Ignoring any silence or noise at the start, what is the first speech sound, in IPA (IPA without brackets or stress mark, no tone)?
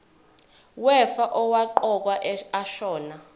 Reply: w